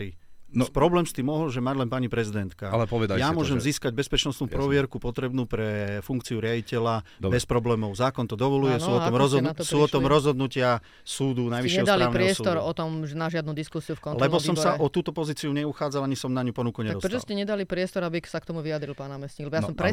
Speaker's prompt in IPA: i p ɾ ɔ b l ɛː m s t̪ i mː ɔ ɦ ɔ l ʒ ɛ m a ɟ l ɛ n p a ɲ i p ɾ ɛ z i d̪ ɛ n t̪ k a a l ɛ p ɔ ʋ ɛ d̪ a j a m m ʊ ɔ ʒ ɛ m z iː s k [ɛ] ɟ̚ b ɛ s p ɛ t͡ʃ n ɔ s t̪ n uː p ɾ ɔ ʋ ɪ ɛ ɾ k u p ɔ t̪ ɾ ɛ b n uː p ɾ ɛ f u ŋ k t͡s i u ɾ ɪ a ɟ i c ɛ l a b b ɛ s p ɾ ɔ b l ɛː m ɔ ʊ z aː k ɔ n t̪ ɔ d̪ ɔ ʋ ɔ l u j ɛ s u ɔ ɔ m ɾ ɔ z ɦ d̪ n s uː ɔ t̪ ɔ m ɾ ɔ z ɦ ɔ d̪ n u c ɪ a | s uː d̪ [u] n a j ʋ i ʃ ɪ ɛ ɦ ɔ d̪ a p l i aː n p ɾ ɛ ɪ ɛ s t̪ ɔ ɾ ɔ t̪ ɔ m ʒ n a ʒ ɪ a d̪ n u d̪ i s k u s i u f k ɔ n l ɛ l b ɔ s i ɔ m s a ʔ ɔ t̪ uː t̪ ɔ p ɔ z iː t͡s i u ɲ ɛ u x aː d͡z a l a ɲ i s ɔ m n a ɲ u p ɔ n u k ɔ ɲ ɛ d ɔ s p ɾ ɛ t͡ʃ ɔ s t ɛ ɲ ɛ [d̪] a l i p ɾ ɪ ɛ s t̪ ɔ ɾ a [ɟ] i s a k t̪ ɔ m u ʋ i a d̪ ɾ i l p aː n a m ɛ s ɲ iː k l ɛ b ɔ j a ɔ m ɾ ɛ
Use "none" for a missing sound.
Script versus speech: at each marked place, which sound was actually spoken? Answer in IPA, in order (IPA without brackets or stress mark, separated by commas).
a, u, d̪, b